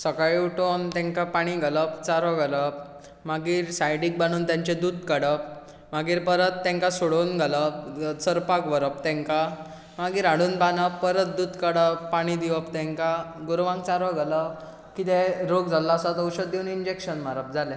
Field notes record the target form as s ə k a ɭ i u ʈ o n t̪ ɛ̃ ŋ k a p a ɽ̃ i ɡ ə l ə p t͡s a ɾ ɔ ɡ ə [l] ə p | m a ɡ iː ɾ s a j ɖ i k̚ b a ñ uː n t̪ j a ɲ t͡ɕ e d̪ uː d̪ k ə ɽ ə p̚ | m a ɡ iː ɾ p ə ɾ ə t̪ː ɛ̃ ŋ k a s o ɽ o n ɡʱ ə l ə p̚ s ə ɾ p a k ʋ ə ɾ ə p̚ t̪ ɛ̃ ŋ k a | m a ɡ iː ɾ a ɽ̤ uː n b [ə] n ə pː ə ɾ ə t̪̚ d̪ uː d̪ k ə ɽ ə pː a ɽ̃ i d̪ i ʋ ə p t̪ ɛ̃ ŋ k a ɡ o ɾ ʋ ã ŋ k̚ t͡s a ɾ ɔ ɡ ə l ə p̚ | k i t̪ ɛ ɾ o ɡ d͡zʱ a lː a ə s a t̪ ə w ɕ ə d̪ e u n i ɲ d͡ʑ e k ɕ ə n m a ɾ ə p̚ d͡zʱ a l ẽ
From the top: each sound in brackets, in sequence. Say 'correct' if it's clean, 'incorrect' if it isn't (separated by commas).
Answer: correct, incorrect